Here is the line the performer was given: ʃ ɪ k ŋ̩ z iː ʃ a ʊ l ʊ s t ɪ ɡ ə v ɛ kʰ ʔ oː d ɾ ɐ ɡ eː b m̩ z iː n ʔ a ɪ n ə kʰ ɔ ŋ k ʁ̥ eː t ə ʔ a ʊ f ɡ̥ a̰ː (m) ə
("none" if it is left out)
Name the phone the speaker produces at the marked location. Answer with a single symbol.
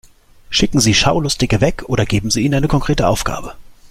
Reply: b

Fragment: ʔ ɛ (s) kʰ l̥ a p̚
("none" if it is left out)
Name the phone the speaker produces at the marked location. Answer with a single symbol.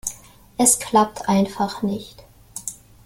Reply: s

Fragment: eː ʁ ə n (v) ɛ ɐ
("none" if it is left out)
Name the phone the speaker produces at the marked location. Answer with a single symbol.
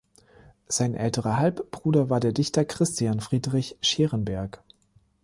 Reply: b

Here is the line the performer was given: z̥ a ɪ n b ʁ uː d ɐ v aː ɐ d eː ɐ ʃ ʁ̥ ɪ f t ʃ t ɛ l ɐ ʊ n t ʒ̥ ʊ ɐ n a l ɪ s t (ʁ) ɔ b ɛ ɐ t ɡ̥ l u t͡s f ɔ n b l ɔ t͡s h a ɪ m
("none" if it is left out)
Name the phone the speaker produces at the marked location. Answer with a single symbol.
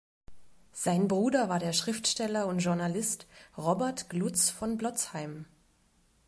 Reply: ʁ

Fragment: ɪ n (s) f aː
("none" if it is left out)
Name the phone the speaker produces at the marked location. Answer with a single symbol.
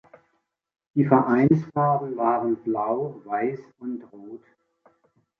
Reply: s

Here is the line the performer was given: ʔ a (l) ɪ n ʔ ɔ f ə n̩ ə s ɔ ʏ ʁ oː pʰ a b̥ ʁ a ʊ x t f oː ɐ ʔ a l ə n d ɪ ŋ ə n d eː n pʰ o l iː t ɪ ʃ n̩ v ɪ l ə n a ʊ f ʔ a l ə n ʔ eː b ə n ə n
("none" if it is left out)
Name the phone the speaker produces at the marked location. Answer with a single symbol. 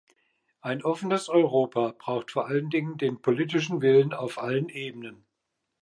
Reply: none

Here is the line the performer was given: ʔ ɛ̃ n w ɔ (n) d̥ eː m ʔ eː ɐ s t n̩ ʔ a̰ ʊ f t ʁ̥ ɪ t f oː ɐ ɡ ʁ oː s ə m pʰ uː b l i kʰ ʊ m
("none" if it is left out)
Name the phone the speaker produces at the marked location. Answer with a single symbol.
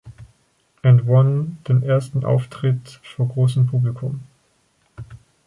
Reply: n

